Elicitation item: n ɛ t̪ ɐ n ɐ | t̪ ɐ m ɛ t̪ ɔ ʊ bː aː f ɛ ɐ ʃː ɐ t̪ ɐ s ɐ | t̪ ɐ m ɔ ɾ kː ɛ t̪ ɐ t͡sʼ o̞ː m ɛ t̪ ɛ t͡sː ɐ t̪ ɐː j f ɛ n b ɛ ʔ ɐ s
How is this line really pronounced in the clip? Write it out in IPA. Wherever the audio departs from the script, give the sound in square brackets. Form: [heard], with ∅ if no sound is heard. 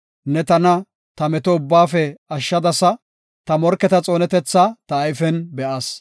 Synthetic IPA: n ɛ t̪ ɐ n ɐ | t̪ ɐ m ɛ t̪ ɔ ʊ bː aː f ɛ ɐ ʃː ɐ [d̪] ɐ s ɐ | t̪ ɐ m ɔ ɾ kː ɛ t̪ ɐ t͡sʼ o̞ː [n] ɛ t̪ ɛ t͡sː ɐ t̪ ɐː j f ɛ n b ɛ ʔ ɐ s